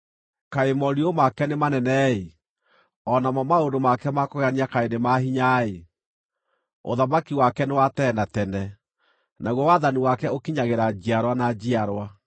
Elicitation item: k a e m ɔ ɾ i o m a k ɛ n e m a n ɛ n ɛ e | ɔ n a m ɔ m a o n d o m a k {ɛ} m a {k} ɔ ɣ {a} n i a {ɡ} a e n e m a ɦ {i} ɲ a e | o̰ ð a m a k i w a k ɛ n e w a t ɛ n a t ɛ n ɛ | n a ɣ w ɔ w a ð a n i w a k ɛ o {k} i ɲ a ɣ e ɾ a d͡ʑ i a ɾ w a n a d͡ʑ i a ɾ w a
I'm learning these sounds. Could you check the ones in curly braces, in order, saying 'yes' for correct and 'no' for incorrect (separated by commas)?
yes, yes, yes, no, yes, yes